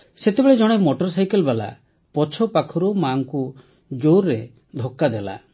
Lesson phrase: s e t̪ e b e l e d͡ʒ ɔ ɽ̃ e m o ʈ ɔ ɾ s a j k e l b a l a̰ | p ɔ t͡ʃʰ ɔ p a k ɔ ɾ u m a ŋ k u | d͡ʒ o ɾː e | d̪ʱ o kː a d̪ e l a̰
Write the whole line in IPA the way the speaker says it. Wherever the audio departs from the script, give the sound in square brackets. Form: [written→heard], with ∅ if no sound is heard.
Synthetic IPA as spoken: s e t̪ e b e [l→ɭ] e d͡ʒ ɔ ɽ̃ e m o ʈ ɔ ɾ s a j k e l b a l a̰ | p ɔ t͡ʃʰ ɔ p a [k→kʰ] ɔ ɾ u m a ŋ k u | d͡ʒ o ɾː e | d̪ʱ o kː a d̪ e l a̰

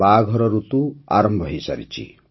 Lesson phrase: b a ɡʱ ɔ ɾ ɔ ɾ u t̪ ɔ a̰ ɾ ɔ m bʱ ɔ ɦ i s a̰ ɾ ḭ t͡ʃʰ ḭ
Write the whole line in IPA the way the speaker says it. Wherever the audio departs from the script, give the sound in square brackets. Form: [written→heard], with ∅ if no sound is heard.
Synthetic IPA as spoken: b a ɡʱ ɔ ɾ ɔ ɾ u t̪ [ɔ→u] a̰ ɾ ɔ m bʱ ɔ ɦ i s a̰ ɾ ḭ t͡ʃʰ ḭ

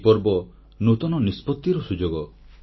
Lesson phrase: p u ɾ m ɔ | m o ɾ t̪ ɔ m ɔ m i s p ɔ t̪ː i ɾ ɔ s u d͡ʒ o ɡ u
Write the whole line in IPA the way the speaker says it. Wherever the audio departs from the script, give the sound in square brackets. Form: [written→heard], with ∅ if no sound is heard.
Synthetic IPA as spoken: p [u→ɔ] ɾ [m→b] ɔ | [m→n] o [ɾ→∅] t̪ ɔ [m→n] ɔ [m→n] i s p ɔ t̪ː i ɾ ɔ s u d͡ʒ o ɡ [u→ɔ]

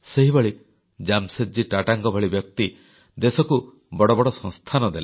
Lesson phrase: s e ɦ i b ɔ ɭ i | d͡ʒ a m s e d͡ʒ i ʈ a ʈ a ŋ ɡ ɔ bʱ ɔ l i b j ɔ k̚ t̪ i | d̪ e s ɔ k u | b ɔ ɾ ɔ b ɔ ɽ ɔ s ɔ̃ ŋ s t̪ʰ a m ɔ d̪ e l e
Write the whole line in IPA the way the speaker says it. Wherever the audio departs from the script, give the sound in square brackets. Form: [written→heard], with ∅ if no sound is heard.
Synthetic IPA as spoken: s e ɦ i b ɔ ɭ i | d͡ʒ a m s e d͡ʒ i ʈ a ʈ a ŋ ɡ ɔ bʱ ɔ [l→ɭ] i b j ɔ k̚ t̪ i | d̪ e s ɔ k u | b ɔ [ɾ→ɽ] ɔ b ɔ ɽ ɔ s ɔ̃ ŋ s t̪ʰ a [m→n] ɔ d̪ e l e

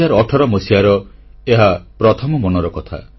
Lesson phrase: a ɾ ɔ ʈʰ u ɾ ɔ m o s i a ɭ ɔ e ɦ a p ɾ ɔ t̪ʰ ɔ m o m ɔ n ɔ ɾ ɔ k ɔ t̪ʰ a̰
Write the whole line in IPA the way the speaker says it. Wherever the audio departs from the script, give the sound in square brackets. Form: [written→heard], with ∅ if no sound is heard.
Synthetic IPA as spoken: a ɾ ɔ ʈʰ [u→ɔ] ɾ ɔ m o s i a [ɭ→ɾ] ɔ e ɦ a p ɾ ɔ t̪ʰ ɔ m [o→ɔ] m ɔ n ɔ ɾ ɔ k ɔ t̪ʰ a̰

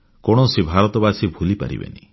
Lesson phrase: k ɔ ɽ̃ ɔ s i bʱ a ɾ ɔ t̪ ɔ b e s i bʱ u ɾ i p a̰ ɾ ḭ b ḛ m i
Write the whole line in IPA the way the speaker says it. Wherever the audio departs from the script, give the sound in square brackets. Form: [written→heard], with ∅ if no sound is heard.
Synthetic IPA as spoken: k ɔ ɽ̃ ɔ s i bʱ a ɾ ɔ t̪ ɔ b [e→a] s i bʱ u [ɾ→l] i p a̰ ɾ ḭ b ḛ [m→n] i

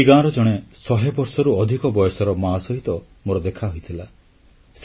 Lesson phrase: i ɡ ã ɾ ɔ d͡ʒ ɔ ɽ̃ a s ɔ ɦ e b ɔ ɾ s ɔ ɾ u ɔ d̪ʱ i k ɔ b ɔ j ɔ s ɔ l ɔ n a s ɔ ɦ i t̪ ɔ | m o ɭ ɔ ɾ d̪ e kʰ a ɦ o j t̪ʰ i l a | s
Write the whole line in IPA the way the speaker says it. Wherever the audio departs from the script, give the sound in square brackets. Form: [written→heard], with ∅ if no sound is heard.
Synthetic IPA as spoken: i ɡ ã ɾ ɔ d͡ʒ ɔ ɽ̃ [a→e] s ɔ ɦ e b ɔ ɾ s ɔ ɾ u ɔ d̪ʱ i k ɔ b ɔ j ɔ s ɔ [l→ɾ] ɔ [n→m] a s ɔ ɦ i t̪ ɔ | m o [ɭ→ɾ] ɔ [ɾ→∅] d̪ e kʰ a ɦ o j t̪ʰ i l a | s

